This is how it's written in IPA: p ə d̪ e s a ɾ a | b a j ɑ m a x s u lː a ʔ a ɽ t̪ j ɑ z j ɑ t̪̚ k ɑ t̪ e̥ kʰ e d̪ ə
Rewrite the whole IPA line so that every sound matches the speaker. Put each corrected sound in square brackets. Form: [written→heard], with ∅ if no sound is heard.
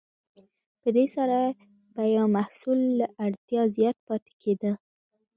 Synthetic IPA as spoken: p ə d̪ e s a ɾ a | b a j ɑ m a [x→h] s u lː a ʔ a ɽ t̪ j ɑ z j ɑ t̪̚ [k→p] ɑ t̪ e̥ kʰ e d̪ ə

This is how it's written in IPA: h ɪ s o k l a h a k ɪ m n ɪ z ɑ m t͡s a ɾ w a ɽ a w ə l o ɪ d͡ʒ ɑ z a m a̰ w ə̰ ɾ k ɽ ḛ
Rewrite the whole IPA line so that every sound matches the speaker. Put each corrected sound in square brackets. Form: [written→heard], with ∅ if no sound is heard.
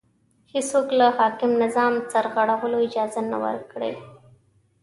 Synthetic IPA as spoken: h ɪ s o k l a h [a→ɑ] k ɪ m n ɪ z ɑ m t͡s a ɾ [w→ɣ] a ɽ a w ə l o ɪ d͡ʒ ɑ z a [m→n] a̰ w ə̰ ɾ k ɽ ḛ

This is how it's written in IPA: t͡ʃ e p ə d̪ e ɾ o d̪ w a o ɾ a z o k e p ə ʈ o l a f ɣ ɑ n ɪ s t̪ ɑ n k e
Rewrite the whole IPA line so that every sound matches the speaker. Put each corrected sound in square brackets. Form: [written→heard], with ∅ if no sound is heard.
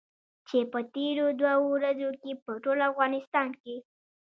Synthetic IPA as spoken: t͡ʃ e p ə [d̪→t̪] e ɾ o d̪ w a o ɾ a z o k e p ə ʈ o l a f ɣ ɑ n ɪ s t̪ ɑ n k e

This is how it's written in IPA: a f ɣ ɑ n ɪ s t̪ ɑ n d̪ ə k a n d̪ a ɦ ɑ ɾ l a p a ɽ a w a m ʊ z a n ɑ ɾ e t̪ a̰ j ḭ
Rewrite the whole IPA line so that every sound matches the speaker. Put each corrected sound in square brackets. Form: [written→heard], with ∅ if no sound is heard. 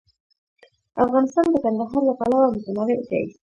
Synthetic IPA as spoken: a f ɣ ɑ n ɪ s t̪ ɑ n d̪ ə k a n d̪ a ɦ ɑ ɾ l a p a [ɽ→l] a w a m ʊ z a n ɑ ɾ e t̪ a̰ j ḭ

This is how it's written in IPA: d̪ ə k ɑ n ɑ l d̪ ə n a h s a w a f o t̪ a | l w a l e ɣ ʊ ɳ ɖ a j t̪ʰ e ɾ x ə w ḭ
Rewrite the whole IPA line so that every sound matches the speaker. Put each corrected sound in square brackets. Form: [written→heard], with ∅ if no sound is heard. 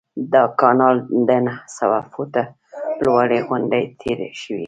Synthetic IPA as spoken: d̪ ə k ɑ n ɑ l d̪ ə n a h s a w a f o t̪ a | l w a [l→ɽ] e ɣ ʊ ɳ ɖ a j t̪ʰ e ɾ [x→ʃ] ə w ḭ

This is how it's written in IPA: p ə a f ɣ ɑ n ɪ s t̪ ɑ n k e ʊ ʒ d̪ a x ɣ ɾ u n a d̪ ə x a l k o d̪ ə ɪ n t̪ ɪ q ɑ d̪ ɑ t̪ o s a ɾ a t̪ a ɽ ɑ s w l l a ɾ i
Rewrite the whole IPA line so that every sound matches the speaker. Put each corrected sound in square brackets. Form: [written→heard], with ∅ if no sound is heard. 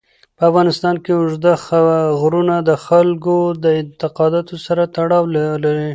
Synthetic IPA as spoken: p ə a f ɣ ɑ n ɪ s t̪ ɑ n k e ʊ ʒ d̪ a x ɣ ɾ u n a d̪ ə x a l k o d̪ ə ɪ n t̪ ɪ q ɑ d̪ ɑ t̪ o s a ɾ a t̪ a ɽ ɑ [s→∅] w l l a ɾ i

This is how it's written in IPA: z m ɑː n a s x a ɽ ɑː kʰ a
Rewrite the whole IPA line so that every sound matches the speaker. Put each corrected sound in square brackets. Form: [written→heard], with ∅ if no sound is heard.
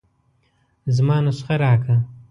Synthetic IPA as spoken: z m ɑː n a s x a [ɽ→ɾ] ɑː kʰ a

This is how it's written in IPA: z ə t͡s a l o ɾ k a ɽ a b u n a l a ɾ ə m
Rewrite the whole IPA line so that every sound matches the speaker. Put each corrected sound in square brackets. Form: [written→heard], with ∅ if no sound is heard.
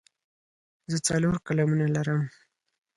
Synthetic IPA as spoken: z ə t͡s a l o ɾ k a [ɽ→l] a [b→m] u n a l a ɾ ə m

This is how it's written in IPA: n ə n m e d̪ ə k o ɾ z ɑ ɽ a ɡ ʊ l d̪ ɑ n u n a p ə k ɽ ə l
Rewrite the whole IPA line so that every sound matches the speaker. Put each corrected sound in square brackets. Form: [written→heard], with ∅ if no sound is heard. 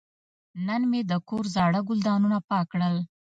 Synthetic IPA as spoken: n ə n m e d̪ ə k o ɾ z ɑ ɽ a ɡ ʊ l d̪ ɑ n u n a p [ə→ɑ] k ɽ ə l

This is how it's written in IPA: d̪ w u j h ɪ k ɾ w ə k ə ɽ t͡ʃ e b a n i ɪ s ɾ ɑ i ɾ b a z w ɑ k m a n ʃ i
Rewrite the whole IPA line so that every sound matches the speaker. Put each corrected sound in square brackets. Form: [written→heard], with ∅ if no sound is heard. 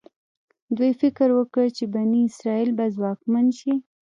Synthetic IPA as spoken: d̪ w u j [h→f] ɪ k ɾ w ə k ə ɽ t͡ʃ e b a n i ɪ s ɾ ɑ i [ɾ→l] b a z w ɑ k m a n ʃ i

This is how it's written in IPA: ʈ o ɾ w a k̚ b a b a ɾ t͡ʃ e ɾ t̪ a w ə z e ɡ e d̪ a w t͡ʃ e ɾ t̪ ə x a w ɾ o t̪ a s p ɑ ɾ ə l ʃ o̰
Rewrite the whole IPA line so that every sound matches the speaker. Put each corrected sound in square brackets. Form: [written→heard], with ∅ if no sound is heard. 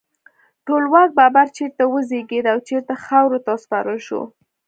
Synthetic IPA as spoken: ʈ o [ɾ→l] w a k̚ b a b a ɾ t͡ʃ e ɾ t̪ a w ə z e ɡ e d̪ a w t͡ʃ e ɾ t̪ [ə→a] x a w ɾ o t̪ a s p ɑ ɾ ə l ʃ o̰

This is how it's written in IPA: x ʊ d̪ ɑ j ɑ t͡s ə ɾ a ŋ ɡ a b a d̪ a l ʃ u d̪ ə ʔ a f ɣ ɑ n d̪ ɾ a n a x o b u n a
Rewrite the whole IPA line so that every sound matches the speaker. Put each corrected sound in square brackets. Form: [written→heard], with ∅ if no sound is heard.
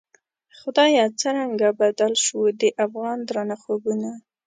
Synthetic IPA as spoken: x ʊ d̪ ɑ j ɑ t͡s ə ɾ a ŋ ɡ a b a d̪ a l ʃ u d̪ ə ʔ a f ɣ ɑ n d̪ ɾ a n a x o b u n a

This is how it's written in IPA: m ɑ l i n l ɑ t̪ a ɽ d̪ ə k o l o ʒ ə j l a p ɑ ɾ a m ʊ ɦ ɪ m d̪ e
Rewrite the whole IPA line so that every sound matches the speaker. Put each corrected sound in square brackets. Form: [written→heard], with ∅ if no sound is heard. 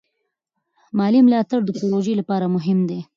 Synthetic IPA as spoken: m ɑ l i [n→m] l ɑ t̪ a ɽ d̪ ə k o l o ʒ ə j l a p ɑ ɾ a m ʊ ɦ ɪ m d̪ e

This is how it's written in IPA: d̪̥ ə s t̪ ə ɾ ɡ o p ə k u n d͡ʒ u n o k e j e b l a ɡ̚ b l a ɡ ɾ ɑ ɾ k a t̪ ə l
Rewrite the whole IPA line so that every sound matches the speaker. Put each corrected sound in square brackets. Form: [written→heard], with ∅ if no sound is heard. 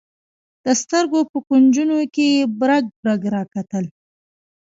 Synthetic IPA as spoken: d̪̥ ə s t̪ ə ɾ ɡ o p ə k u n d͡ʒ u n o k e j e b [l→ɾ] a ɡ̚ b [l→ɾ] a ɡ ɾ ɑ [ɾ→∅] k a t̪ ə l

